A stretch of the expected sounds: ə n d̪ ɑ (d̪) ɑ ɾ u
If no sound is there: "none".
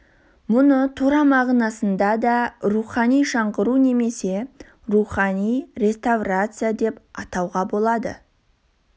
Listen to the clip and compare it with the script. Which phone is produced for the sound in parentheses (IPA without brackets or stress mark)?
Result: d̪